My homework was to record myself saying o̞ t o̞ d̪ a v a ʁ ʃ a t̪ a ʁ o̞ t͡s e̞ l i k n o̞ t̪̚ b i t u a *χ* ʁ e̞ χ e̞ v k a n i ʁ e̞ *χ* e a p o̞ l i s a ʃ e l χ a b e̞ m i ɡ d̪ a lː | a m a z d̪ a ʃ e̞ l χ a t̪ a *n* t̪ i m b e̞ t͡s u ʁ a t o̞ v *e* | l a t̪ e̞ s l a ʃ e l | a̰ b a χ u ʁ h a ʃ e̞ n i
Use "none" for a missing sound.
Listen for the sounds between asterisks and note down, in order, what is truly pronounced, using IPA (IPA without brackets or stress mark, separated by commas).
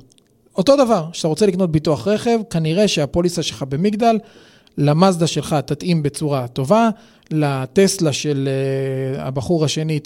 χ, ʃ, none, a